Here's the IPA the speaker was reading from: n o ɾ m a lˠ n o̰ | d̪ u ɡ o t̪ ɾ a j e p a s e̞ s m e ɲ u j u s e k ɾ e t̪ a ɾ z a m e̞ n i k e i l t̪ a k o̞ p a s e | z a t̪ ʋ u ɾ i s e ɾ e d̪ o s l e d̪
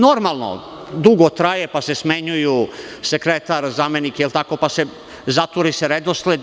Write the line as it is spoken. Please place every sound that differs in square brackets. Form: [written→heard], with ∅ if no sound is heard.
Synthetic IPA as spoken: n o ɾ m a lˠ n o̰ | d̪ u ɡ o t̪ ɾ a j e p a s e̞ s m e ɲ u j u s e k ɾ e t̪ a ɾ z a m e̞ n i k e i l t̪ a k o̞ p a s e | z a t̪ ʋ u ɾ i s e ɾ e d̪ o s l e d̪